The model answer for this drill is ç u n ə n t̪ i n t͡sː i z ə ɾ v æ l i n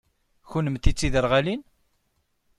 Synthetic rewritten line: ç u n ə m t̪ i t͡sː i ð ə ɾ ʁ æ l i n

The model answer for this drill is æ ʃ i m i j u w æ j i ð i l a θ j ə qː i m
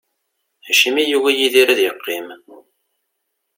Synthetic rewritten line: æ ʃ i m i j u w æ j i ð i ɾ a ð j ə qː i m

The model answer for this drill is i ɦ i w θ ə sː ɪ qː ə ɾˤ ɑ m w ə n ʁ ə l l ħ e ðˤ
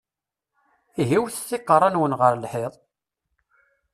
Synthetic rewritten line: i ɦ i w θ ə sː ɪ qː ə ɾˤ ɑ n w ə n ʁ ə ɾ l ħ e ðˤ

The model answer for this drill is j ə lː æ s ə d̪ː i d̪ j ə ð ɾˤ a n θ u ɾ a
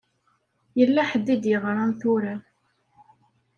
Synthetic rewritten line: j ə lː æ ħ ə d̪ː i d̪ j ə ʁ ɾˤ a n θ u ɾ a

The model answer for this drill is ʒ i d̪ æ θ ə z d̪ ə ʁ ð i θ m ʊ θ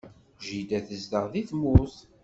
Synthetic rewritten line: ʒ i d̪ æ θ ə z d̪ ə ʁ ð i θ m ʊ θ

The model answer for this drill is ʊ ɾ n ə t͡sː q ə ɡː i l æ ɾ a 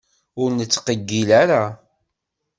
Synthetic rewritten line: ʊ ɾ n ə t͡sː q ə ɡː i l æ ɾ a

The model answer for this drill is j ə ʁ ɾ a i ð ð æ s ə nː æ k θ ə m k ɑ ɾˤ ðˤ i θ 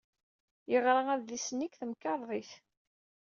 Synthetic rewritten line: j ə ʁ ɾ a æ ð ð i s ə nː i k θ ə m k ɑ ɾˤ ðˤ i θ

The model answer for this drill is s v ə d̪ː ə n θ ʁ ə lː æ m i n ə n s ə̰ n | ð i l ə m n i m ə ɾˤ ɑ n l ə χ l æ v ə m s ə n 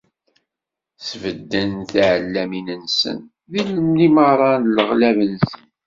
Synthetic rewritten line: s v ə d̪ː ə n θ ʕ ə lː æ m i n ə n s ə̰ n | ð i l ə m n i m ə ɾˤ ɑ n l ə ʁ l æ v ə n s ə n

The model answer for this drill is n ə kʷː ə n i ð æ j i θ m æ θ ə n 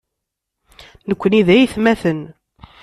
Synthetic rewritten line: n ə kʷː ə n i ð æ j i θ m æ θ ə n

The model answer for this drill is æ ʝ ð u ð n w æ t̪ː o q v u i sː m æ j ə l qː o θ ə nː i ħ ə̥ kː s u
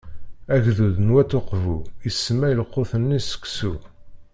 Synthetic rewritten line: æ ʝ ð u ð n w æ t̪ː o q v u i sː m æ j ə l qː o θ ə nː i s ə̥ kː s u

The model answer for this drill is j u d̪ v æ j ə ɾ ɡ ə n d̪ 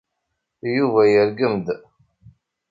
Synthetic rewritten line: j u v æ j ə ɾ ɡ ə m d̪

